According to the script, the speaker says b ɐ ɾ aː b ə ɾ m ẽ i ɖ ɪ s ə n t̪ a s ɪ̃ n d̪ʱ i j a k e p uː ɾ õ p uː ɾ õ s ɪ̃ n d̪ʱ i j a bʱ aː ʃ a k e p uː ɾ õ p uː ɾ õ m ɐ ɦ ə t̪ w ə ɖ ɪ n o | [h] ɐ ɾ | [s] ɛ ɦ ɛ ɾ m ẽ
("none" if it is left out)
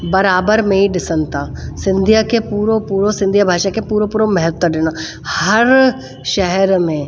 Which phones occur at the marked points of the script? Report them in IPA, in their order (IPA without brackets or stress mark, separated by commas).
h, ʃ